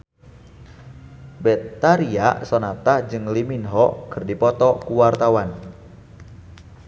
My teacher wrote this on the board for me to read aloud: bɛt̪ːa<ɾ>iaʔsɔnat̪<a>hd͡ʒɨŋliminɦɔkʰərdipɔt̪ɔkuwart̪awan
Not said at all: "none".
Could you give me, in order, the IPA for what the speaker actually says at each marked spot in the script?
ɾ, a

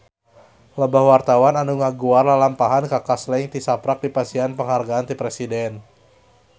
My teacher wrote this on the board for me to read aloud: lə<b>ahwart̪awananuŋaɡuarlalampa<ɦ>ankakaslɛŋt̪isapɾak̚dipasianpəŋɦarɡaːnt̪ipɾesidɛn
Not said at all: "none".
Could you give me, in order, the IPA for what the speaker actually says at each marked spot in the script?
b, ɦ

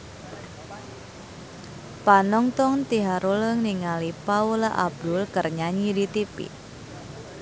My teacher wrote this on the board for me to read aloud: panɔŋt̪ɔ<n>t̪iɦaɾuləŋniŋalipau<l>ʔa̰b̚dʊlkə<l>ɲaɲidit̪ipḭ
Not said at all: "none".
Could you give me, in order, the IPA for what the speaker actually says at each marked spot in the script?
ŋ, l, r

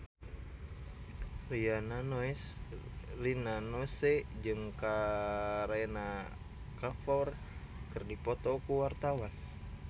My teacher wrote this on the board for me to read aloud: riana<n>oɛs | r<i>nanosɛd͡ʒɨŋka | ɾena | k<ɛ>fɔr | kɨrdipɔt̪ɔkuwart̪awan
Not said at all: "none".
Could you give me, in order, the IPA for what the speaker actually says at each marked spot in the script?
n, i, a

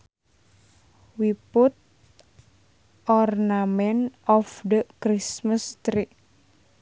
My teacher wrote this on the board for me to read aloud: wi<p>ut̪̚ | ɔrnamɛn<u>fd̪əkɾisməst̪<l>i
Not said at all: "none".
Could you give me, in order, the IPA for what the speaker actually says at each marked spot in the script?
p, ɔ, ɾ

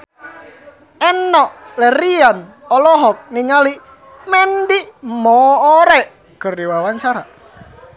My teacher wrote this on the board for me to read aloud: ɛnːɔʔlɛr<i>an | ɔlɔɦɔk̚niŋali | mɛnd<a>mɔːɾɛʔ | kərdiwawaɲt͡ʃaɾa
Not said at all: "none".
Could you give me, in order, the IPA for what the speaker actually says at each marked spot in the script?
i, i

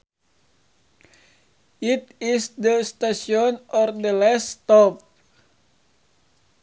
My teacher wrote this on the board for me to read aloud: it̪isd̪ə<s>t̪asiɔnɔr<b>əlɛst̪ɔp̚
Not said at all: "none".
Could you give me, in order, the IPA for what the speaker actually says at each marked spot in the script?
s, d

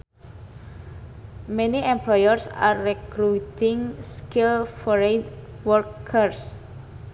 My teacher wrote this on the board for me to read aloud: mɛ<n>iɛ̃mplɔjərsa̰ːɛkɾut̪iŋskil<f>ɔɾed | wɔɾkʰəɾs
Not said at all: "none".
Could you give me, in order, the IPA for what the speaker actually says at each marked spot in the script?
n, f

